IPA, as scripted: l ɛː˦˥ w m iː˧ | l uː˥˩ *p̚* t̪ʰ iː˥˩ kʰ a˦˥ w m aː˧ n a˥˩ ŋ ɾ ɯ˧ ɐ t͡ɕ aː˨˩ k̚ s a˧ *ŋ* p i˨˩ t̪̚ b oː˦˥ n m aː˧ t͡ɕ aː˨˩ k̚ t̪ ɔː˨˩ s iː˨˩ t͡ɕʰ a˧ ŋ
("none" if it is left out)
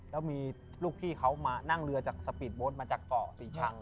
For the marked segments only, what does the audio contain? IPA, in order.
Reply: k̚, none

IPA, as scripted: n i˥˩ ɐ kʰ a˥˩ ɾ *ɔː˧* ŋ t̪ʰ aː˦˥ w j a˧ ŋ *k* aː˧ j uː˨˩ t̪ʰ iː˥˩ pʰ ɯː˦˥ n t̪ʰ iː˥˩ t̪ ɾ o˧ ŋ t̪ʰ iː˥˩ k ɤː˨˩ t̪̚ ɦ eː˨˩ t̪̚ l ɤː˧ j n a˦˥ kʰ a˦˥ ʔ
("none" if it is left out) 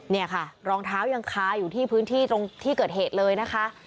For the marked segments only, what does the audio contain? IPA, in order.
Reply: ɔː˧, kʰ

